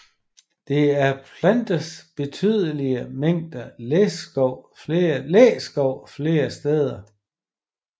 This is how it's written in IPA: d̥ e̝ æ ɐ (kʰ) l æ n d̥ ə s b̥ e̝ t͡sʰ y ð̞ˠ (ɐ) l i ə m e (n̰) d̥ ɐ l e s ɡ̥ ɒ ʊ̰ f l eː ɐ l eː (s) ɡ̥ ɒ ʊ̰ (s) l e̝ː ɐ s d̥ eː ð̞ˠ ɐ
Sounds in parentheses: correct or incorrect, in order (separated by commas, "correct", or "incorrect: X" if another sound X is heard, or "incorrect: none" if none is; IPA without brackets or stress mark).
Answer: incorrect: pʰ, incorrect: ə, incorrect: ŋ̰, correct, incorrect: f